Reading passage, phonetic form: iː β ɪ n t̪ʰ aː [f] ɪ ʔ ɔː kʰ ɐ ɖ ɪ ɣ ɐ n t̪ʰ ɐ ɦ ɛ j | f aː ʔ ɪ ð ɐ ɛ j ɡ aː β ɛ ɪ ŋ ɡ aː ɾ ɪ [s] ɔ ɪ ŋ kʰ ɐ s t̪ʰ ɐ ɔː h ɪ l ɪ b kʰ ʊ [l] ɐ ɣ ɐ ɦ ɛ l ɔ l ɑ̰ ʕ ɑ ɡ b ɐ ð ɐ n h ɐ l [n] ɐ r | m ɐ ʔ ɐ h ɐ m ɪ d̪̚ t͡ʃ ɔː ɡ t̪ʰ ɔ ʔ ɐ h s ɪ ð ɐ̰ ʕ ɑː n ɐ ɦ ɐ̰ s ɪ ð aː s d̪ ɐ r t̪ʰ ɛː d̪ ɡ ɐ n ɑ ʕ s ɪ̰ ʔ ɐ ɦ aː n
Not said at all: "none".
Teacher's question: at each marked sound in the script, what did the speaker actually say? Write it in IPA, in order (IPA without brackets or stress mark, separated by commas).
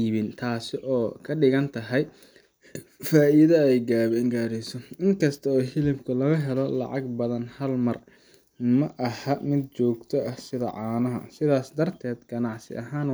s, s, l, m